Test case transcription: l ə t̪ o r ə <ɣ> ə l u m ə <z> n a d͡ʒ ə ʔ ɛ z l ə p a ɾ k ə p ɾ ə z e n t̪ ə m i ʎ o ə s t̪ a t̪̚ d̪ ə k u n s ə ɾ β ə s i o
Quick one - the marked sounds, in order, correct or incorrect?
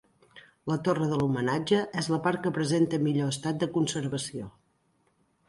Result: incorrect, incorrect

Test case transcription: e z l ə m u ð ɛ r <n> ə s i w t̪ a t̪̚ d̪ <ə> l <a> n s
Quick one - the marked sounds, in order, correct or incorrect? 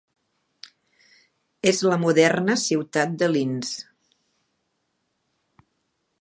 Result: correct, correct, incorrect

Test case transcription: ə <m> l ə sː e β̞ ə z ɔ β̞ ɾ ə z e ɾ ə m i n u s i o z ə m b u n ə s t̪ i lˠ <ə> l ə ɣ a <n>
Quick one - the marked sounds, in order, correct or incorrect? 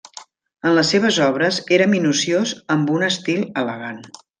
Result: incorrect, correct, correct

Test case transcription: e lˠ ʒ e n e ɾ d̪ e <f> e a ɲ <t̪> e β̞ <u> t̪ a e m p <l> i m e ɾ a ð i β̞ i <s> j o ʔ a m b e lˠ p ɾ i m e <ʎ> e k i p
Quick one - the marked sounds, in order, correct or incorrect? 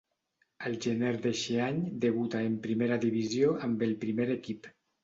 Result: incorrect, incorrect, correct, incorrect, incorrect, incorrect

